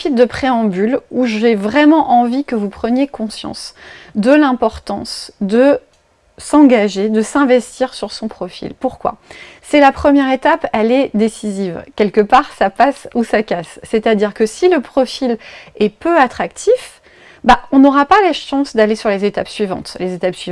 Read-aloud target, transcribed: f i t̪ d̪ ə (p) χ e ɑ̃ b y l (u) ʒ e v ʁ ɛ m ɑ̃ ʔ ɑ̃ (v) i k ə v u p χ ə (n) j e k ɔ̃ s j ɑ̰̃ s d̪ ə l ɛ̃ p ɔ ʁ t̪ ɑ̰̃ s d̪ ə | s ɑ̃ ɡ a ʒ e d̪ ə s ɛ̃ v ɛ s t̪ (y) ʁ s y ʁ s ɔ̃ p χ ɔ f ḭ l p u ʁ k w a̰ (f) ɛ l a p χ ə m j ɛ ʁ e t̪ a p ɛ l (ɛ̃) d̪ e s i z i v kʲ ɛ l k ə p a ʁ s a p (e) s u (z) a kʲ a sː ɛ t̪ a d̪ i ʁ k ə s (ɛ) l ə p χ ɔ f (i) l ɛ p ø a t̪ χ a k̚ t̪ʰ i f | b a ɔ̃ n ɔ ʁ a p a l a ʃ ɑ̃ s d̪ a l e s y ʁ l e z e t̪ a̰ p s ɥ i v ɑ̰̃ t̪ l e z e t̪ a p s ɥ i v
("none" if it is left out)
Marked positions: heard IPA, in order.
p, u, v, n, i, s, ɛ, a, s, i, i

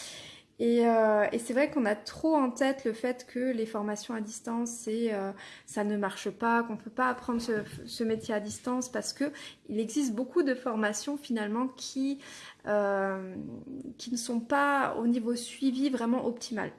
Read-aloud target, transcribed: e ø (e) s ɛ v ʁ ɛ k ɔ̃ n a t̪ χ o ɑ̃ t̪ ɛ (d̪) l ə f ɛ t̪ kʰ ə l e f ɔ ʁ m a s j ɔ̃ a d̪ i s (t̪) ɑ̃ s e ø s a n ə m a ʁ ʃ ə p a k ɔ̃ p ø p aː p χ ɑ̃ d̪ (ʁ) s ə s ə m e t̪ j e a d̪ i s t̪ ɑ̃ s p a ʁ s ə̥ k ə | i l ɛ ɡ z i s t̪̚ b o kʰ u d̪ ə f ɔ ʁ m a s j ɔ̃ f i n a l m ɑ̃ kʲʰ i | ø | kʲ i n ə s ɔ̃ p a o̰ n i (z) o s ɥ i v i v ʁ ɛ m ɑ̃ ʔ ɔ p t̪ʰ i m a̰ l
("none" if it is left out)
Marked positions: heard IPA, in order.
e, t̪, t̪, ʁ, v

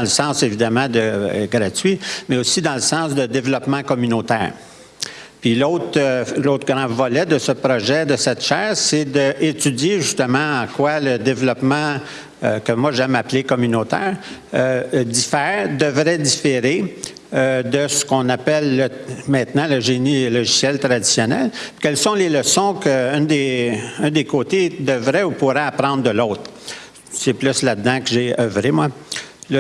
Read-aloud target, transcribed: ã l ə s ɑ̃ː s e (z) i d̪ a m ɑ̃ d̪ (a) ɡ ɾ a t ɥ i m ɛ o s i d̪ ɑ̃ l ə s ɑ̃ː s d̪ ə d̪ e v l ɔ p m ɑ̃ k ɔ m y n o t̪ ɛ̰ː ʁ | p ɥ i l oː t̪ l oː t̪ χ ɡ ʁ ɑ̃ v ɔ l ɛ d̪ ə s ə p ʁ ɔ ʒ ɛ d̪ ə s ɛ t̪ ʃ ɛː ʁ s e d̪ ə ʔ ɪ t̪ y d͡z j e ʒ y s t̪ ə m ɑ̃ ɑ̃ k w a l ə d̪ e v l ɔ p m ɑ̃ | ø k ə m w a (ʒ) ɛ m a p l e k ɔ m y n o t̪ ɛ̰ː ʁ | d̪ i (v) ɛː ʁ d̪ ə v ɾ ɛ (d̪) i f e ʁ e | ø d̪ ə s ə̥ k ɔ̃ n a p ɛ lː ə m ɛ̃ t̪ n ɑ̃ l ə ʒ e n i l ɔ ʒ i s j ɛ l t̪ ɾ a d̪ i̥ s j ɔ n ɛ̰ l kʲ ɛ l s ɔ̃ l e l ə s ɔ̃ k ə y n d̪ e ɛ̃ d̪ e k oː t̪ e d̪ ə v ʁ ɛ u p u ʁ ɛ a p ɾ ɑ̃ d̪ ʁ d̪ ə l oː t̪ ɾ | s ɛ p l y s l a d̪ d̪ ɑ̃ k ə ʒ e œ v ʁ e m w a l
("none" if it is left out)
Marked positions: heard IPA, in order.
v, ə, ʒ, f, d̪

